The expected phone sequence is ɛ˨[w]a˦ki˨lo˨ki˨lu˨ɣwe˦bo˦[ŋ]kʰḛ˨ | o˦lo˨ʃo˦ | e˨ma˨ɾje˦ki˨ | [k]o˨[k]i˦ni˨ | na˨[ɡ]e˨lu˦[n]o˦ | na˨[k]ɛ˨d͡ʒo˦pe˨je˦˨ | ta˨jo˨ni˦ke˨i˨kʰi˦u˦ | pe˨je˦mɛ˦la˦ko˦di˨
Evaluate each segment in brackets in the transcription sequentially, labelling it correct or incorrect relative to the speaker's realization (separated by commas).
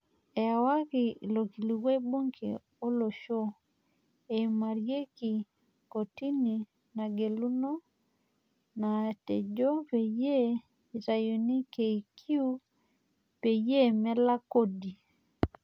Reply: correct, correct, correct, incorrect, correct, correct, incorrect